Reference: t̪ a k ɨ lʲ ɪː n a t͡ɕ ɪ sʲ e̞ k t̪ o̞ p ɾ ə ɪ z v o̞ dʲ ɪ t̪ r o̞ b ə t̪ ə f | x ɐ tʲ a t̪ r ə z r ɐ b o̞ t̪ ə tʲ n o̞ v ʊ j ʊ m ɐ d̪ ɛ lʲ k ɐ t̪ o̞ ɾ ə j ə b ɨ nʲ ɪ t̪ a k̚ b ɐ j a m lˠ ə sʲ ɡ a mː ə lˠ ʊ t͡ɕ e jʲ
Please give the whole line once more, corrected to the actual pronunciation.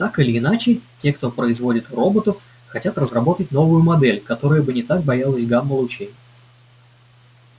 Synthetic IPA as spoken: t̪ a k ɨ lʲ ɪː n a t͡ɕ ɪ tʲ e̞ k t̪ o̞ p ɾ ə ɪ z v o̞ dʲ ɪ t̪ r o̞ b ə t̪ ə f | x ɐ tʲ a t̪ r ə z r ɐ b o̞ t̪ ə tʲ n o̞ v ʊ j ʊ m ɐ d̪ ɛ lʲ k ɐ t̪ o̞ ɾ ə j ə b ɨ nʲ ɪ t̪ a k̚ b ɐ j a lˠ ə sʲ ɡ a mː ə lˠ ʊ t͡ɕ e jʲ

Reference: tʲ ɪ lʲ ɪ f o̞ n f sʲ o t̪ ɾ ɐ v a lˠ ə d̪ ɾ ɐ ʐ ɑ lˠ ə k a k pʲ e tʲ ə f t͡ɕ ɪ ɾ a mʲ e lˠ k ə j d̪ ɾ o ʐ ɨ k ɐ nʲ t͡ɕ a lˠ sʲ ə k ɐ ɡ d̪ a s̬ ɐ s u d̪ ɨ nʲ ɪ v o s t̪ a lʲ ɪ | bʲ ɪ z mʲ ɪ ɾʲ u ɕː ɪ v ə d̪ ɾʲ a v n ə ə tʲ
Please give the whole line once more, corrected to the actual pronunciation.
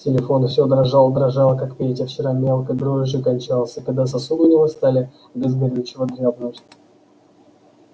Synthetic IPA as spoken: tʲ ɪ lʲ ɪ f o̞ n f sʲ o d̪ ɾ ɐ ʐ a lˠ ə d̪ ɾ ɐ ʐ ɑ lˠ ə k a k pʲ e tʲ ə f t͡ɕ ɪ ɾ a mʲ e lˠ k ə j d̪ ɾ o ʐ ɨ k ɐ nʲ t͡ɕ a lˠ sʲ ə k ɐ ɡ d̪ a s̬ ɐ s u d̪ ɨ nʲ ɪ v o s t̪ a lʲ ɪ | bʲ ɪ z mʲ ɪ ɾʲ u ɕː ɪ v ə d̪ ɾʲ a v n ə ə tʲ

